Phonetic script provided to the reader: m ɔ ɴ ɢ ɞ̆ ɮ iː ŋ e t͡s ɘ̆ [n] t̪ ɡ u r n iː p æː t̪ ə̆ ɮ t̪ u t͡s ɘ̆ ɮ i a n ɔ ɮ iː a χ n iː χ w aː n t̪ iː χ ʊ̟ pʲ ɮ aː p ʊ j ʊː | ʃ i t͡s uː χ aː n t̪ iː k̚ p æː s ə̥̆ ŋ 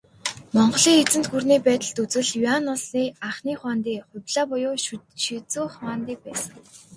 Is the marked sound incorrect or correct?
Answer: correct